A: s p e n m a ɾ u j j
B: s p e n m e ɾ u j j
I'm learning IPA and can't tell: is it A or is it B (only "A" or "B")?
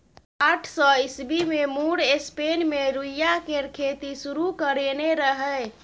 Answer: B